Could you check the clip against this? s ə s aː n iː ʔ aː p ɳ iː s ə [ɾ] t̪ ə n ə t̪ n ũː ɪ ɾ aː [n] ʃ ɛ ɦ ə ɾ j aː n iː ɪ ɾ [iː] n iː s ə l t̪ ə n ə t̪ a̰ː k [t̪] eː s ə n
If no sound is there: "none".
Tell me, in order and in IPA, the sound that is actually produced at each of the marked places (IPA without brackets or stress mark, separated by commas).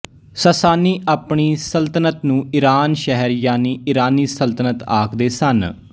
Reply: l, n, aː, d̪